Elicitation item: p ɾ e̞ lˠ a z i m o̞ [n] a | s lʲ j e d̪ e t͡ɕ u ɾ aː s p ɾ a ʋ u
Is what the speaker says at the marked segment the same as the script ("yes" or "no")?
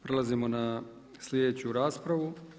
yes